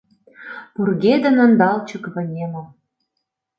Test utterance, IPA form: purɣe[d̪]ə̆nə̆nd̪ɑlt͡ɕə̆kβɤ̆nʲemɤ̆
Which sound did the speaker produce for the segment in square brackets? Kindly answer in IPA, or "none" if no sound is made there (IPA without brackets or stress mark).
d̪